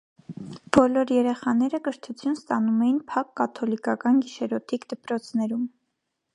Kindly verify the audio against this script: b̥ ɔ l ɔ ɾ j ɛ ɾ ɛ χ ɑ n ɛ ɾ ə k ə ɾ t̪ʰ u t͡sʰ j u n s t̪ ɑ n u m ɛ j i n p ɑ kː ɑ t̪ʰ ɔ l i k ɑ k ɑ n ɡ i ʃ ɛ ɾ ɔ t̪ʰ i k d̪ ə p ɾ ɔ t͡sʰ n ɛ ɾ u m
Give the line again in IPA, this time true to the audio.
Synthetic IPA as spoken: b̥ ɔ l ɔ ɾ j ɛ ɾ ɛ χ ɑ n ɛ ɾ ə k ə ɾ t̪ʰ u t͡sʰ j u n s t̪ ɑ n u m ɛ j i n pʰ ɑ kː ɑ t̪ʰ ɔ l i k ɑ k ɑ n ɡ i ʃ ɛ ɾ ɔ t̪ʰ i k d̪ ə p ɾ ɔ t͡sʰ n ɛ ɾ u m